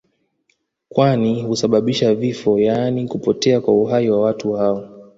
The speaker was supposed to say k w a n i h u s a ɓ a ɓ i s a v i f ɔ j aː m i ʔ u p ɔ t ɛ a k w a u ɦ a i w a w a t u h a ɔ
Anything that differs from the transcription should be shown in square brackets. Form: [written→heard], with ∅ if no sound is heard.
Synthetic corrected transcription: k w a n i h u s a ɓ a ɓ i [s→ʃ] a v i f ɔ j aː [m→n] i [ʔ→k] u p ɔ t ɛ a k w a u ɦ a i w a w a t u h a ɔ